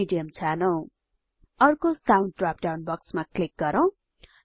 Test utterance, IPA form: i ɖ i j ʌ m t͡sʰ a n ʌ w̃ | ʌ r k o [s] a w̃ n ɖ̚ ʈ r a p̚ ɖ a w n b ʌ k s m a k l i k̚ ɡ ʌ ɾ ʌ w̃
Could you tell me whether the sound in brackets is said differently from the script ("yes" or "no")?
no